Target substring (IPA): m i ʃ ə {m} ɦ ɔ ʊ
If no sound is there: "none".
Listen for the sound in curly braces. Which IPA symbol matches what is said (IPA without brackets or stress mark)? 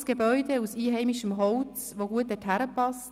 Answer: m